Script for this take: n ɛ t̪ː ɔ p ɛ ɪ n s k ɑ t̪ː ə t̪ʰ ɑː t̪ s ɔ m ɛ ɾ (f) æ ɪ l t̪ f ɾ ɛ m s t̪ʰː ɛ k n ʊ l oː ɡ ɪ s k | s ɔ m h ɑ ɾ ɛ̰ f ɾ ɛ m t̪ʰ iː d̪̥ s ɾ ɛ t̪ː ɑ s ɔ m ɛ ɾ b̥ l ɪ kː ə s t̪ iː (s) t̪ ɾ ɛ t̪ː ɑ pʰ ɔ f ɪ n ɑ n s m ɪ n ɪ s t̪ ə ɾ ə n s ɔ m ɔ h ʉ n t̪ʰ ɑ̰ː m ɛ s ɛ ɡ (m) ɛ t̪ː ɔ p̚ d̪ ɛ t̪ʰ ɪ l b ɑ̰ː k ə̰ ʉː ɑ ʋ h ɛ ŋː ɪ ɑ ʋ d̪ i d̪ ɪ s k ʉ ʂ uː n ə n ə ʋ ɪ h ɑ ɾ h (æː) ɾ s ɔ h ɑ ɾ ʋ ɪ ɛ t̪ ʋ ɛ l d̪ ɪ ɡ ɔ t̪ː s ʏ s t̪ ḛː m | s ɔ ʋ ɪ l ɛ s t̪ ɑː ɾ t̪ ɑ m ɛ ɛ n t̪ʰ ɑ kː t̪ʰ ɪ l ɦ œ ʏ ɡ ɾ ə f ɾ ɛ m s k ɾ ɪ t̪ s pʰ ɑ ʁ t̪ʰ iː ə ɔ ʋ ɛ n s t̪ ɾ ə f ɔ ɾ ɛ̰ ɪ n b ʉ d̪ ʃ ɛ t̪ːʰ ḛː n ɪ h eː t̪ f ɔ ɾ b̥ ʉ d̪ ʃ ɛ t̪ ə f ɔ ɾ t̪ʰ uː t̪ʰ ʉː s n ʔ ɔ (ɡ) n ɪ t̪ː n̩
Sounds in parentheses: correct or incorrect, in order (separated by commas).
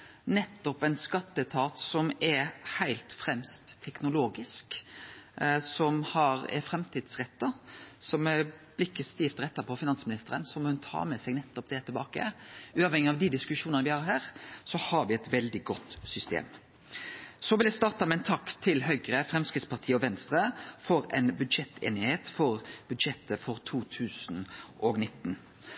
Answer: incorrect, incorrect, incorrect, correct, correct